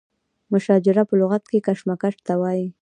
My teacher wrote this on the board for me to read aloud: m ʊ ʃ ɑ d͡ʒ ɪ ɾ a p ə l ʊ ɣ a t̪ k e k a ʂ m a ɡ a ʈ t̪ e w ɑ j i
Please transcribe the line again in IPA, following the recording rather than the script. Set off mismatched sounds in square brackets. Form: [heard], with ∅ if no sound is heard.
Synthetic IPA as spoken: m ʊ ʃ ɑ d͡ʒ ɪ ɾ a p ə l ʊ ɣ a t̪ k e k a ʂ m a [k] a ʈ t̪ [a] w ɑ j i